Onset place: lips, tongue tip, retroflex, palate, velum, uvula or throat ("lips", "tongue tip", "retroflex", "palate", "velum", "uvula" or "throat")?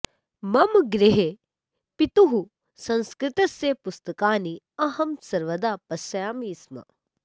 lips